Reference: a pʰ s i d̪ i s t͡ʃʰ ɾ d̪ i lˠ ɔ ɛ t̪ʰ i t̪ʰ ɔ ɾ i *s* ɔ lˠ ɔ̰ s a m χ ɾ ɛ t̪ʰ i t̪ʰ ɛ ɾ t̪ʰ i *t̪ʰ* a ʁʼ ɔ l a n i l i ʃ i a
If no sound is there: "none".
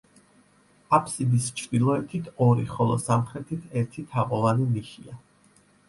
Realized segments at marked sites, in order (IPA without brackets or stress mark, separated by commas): χ, t̪ʰ